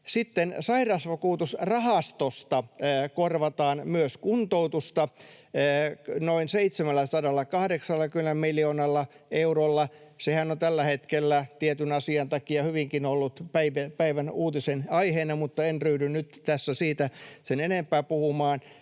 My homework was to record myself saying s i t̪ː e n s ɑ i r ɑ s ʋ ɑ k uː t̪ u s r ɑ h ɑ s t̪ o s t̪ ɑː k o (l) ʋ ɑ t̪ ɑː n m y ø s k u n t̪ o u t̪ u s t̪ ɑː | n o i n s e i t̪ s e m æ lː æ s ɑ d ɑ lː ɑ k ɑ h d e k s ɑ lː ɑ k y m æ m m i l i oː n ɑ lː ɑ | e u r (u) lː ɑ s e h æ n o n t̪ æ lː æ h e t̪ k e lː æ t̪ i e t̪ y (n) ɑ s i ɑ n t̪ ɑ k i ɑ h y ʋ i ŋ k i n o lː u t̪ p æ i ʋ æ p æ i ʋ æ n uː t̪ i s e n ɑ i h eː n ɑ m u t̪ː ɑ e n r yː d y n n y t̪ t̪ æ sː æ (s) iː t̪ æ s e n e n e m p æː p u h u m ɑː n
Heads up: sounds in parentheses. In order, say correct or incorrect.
incorrect, incorrect, correct, correct

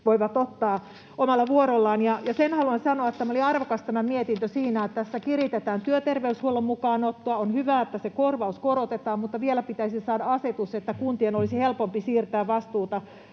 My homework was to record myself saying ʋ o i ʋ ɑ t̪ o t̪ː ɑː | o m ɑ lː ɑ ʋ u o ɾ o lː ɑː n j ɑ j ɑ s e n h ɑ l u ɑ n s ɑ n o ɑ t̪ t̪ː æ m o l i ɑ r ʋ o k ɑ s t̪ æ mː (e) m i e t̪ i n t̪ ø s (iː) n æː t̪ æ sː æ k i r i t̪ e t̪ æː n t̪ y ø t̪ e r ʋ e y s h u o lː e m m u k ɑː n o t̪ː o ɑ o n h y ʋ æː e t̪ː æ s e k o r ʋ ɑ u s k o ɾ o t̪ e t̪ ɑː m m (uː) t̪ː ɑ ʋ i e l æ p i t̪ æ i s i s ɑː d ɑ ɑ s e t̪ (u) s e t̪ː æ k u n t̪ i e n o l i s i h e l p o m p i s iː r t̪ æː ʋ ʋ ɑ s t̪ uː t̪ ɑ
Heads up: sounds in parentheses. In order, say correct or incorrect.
incorrect, correct, incorrect, correct

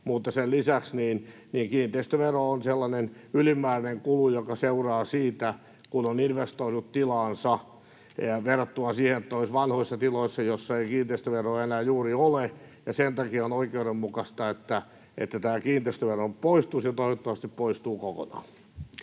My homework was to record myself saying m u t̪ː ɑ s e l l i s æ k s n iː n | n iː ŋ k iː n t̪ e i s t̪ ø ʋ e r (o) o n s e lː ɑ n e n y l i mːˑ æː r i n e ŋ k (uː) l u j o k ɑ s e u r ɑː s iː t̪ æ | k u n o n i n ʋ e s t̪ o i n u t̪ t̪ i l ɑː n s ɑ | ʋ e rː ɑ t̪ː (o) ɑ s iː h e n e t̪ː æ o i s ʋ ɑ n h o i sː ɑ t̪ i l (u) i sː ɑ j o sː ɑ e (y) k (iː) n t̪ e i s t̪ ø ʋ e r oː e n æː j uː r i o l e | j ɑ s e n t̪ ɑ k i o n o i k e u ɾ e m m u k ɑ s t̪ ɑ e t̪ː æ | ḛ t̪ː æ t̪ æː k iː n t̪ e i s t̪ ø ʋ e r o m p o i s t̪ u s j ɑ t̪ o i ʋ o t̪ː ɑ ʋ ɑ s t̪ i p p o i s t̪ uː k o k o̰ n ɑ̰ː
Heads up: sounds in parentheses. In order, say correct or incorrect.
correct, incorrect, incorrect, incorrect, incorrect, correct

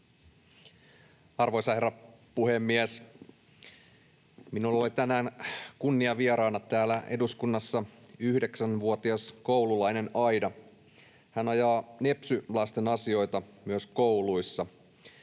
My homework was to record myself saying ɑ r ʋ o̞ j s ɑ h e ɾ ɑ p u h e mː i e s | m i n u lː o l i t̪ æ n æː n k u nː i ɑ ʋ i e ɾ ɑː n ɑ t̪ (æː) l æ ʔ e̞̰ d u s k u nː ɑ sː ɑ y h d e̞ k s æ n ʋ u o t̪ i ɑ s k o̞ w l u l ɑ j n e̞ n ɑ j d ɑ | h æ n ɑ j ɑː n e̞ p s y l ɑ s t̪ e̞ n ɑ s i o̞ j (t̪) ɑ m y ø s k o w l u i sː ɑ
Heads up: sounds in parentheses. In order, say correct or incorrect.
correct, correct

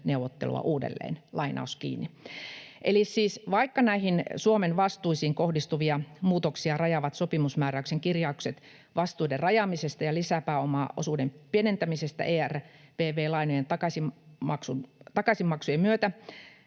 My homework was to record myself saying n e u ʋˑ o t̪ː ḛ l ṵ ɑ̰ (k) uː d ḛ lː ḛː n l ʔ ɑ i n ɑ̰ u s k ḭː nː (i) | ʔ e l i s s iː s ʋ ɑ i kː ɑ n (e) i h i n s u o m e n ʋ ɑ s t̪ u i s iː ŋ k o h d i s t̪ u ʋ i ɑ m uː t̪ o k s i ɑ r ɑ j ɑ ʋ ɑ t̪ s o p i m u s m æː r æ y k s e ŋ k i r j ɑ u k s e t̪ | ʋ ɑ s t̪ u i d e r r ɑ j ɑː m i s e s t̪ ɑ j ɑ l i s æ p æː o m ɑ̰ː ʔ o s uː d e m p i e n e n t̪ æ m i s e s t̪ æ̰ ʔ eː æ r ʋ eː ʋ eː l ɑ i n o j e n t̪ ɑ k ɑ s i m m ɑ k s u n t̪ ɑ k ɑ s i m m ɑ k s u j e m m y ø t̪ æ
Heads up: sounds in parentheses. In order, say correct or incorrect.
incorrect, correct, incorrect

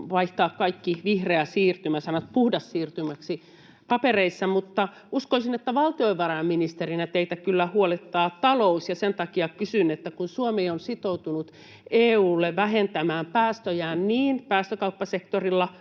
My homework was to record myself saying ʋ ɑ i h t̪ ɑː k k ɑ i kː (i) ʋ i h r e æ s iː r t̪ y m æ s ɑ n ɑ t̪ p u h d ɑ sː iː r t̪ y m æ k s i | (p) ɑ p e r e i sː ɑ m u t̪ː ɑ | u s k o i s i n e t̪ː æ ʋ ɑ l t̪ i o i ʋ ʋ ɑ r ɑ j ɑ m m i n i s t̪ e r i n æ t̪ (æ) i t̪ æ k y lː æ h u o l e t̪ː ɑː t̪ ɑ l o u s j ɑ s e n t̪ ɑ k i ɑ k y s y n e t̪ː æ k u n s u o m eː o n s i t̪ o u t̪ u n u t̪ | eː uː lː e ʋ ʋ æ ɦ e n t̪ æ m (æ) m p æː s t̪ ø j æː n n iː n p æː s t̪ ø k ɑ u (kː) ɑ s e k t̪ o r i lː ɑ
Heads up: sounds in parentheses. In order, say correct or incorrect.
correct, correct, incorrect, incorrect, incorrect

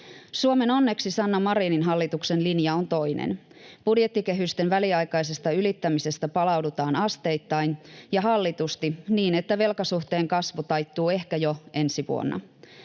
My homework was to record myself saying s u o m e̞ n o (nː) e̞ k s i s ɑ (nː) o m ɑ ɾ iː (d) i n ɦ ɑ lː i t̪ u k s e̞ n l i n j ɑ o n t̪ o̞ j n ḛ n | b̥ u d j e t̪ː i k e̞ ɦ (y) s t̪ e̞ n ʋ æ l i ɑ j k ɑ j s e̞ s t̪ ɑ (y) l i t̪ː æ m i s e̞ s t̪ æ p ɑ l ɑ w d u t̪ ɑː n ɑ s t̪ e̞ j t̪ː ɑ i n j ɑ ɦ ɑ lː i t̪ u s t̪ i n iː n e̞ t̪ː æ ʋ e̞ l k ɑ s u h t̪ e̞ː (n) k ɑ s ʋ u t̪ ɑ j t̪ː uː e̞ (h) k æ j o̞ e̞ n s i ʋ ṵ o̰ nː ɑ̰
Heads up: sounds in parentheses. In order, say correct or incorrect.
correct, correct, incorrect, correct, correct, incorrect, correct

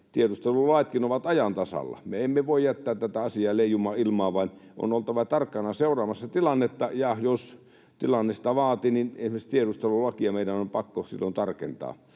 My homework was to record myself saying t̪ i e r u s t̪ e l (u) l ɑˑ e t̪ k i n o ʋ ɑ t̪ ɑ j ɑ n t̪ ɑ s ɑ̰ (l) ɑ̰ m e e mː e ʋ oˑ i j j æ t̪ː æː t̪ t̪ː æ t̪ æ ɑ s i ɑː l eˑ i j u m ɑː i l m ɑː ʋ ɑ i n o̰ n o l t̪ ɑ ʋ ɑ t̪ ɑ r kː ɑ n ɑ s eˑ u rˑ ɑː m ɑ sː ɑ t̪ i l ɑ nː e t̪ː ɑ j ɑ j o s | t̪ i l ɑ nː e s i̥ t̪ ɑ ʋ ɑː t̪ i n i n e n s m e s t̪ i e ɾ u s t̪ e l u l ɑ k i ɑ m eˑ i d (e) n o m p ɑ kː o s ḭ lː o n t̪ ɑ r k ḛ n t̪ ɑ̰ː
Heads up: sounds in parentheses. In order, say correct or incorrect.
correct, incorrect, incorrect

